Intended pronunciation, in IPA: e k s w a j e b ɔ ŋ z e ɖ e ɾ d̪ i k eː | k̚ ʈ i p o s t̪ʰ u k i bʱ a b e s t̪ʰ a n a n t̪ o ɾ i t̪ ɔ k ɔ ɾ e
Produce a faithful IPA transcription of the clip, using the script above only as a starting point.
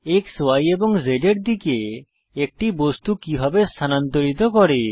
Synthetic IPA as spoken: e k s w a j e b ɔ ŋ z e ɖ e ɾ d̪ i k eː | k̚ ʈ i b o s t̪ u k i bʱ a b e s t̪ʰ a n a n t̪ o ɾ i t̪ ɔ k ɔ ɾ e

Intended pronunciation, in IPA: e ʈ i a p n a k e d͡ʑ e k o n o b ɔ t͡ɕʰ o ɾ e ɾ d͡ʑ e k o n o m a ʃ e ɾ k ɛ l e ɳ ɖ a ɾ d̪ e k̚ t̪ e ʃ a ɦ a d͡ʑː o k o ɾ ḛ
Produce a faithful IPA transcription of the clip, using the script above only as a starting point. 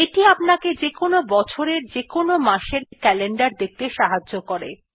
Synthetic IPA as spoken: e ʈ i a p n a k e d͡ʑ e k o n o b ɔ t͡ɕʰ o ɾ e ɾ d͡ʑ e k o n o m a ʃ e ɾ k ɛ l e ɳ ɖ a ɾ d̪ e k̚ t̪ e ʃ a ɦ a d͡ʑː o k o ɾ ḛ

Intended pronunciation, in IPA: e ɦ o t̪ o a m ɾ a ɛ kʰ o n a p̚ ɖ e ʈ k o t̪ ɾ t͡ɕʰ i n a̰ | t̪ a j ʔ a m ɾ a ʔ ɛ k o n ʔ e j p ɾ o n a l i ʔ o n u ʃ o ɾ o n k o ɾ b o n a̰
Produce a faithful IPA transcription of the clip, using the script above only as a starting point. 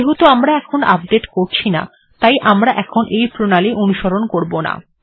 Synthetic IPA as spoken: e ɦ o t̪ o a m ɾ a ɛ kʰ o n a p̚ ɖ e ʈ k o ɾ t͡ɕʰ i n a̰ | t̪ a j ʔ a m ɾ a ʔ ɛ kʰ o n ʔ e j p ɾ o n a l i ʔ o n u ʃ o ɾ o n k o ɾ b o n a̰

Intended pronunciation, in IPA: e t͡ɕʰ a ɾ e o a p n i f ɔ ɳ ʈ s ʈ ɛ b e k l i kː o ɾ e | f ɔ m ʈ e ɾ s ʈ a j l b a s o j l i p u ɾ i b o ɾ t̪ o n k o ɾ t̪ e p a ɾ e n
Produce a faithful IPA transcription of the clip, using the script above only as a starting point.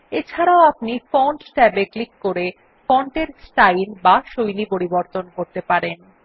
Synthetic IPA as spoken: e t͡ɕʰ a ɾ a o a p n i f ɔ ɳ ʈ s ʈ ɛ b e k l i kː o ɾ e | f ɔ ɳ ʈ e ɾ s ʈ a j l b a ʃ o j l i p o ɾ i b o ɾ t̪ o n k o ɾ t̪ e p a ɾ e n

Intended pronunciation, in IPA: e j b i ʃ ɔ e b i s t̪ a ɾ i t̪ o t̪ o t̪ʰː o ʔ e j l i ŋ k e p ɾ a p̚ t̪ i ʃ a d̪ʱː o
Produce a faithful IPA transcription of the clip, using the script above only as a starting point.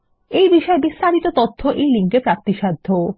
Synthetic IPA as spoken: e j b i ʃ ɔ e b i s t̪ a ɾ i t̪ o t̪ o t̪ʰː o ʔ e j l i ŋ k e p ɾ a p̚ t̪ i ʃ a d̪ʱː o

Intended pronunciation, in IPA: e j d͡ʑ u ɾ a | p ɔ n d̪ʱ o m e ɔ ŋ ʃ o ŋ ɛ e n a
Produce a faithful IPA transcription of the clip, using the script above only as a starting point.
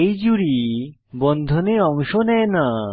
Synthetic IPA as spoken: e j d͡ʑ u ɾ i | b ɔ n d̪ʱ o n e ɔ ŋ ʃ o n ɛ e n a

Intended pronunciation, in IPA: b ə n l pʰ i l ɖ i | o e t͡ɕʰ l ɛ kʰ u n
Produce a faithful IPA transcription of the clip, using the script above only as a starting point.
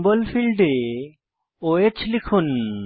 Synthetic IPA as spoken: b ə l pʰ i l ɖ e | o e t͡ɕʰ l i kʰ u n

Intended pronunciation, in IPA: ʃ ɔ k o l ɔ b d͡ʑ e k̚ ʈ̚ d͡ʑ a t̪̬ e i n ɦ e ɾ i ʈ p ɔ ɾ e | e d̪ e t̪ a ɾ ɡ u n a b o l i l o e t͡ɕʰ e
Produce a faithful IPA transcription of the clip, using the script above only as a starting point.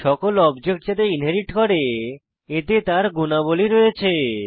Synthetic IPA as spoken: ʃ ɔ k o l ɔ b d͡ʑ e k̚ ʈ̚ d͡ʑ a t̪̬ e i n ɦ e ɾ i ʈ k ɔ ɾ e | e t̪ e t̪ a ɾ ɡ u n a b o l i ɾ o e t͡ɕʰ e

